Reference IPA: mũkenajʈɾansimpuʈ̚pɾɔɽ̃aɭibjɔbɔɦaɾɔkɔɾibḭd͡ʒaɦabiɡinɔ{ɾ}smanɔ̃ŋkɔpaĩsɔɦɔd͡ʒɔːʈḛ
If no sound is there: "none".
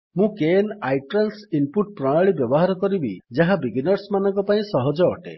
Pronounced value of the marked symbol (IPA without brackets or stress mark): ɾ